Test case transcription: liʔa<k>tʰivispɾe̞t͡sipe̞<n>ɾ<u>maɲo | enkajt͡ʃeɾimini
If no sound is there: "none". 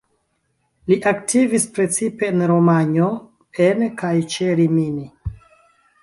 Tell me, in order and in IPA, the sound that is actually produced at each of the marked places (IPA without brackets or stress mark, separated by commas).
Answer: k, n, o